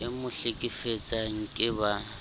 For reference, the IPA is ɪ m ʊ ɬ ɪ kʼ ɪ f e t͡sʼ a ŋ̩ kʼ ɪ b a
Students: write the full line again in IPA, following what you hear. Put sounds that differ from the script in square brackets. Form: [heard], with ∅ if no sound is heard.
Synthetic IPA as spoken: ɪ m ʊ ɬ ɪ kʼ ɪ f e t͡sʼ a ŋ̩ kʼ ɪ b a